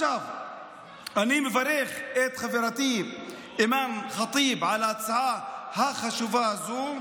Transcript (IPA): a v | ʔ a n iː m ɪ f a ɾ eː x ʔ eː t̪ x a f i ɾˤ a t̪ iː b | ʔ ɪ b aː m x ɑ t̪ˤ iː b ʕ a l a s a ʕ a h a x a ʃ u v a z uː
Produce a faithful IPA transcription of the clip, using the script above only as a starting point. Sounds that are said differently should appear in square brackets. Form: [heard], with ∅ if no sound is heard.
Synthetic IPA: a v | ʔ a n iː m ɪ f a ɾ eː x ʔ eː t̪ x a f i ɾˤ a t̪ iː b | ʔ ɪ [m] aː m x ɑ t̪ˤ iː b ʕ a l a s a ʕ a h a x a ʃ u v a z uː